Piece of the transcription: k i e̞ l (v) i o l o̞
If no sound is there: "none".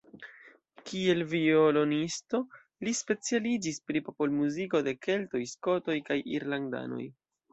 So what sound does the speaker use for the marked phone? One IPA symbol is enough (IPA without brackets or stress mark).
v